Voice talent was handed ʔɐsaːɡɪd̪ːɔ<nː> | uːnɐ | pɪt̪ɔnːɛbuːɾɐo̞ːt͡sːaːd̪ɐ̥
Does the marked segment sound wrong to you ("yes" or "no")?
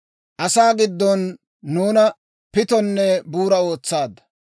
no